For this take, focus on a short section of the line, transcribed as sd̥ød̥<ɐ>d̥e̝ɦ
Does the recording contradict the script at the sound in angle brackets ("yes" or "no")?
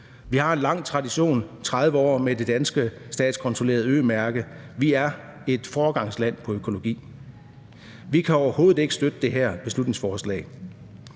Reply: yes